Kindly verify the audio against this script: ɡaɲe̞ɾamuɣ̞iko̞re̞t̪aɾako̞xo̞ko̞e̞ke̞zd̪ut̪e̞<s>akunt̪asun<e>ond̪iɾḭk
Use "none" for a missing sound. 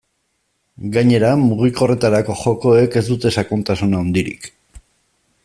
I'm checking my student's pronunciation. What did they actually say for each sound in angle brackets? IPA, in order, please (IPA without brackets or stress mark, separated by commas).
s, a